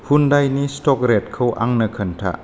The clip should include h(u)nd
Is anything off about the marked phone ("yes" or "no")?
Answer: no